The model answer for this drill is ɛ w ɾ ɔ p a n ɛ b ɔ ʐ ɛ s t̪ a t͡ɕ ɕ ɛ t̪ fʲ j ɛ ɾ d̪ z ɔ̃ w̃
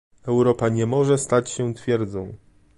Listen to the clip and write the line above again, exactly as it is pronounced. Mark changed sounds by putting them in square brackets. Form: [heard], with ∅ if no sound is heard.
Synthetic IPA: ɛ w ɾ ɔ p a [ɲ] ɛ [m] ɔ ʐ ɛ s t̪ a t͡ɕ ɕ ɛ t̪ fʲ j ɛ ɾ d̪ z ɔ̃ w̃